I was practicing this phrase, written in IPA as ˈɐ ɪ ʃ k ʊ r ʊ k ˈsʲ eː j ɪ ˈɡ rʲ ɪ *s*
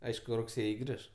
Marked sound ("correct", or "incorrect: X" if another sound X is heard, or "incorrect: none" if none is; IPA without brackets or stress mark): incorrect: ʃ